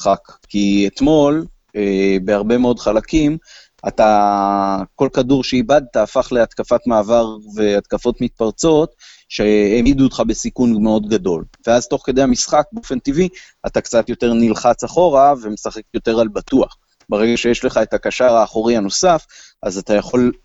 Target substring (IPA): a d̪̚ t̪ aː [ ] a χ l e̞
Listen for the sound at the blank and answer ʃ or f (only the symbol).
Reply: f